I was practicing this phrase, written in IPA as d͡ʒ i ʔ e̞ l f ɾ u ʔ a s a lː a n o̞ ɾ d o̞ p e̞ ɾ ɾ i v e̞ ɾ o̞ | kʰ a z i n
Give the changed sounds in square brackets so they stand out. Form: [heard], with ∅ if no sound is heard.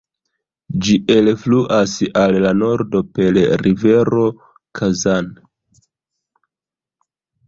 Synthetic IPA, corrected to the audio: d͡ʒ i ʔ e̞ l f [l] u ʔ a s a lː a n o̞ ɾ d o̞ p e̞ [l] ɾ i v e̞ ɾ o̞ | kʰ a z [a] n